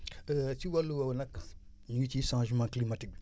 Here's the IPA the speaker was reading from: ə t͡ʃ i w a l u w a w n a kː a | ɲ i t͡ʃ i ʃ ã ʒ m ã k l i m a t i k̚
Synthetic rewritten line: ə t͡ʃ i w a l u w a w n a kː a | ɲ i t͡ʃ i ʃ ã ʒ m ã k l i m a t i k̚

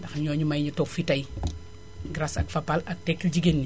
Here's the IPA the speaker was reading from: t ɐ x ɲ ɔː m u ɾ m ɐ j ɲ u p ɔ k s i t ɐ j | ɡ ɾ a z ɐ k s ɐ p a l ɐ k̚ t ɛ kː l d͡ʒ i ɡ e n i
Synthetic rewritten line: d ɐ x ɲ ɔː ɲ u m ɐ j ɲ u t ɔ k f i t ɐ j | ɡ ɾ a s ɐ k f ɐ p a l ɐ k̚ t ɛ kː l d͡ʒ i ɡ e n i

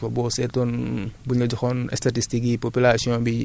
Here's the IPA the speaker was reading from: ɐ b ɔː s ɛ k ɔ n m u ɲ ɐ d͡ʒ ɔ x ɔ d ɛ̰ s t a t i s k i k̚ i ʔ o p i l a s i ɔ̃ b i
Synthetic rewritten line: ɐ b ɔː s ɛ t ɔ n b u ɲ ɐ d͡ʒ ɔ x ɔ n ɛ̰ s t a t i s t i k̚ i p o p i l a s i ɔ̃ b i

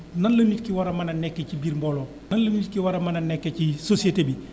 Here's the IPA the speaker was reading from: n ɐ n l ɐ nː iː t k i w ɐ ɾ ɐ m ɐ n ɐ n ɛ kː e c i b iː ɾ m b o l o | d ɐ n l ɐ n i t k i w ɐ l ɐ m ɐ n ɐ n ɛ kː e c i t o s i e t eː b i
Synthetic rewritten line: n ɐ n l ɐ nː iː t k i w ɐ ɾ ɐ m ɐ n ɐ n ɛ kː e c i b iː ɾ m b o l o | n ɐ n l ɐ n i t k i w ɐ ɾ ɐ m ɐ n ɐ n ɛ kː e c i s o s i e t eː b i

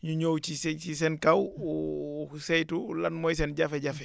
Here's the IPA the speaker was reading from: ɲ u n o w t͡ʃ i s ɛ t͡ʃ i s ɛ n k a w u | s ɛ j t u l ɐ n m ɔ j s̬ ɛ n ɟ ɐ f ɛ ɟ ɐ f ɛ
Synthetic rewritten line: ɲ u ɲ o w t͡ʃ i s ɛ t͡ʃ i s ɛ n k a w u | s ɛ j t u l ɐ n m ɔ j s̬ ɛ n ɟ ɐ f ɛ ɟ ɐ f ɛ

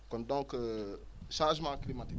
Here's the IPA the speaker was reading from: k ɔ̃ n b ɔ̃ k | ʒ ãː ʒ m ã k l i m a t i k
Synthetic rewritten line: k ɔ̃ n d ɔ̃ k | ʃ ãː ʒ m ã k l i m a t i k

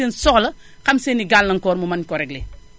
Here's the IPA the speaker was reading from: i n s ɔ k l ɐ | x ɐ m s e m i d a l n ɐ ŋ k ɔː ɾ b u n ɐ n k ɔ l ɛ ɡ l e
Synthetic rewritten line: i n s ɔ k l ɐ | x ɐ m s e n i ɡ a l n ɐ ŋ k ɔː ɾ m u m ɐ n k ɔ ɾ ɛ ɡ l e

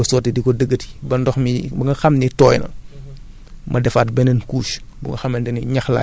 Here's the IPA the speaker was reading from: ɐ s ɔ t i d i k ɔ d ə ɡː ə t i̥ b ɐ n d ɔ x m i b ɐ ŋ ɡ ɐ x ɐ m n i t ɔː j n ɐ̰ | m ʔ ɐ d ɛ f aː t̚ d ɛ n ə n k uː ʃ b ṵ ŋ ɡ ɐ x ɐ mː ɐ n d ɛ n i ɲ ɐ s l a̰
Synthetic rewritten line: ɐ s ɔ t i d i k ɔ d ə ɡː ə t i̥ b ɐ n d ɔ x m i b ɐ ŋ ɡ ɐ x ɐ m n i t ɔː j n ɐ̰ | m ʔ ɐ d ɛ f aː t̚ b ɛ n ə n k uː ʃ b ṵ ŋ ɡ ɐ x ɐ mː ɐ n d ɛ n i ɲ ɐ x l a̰

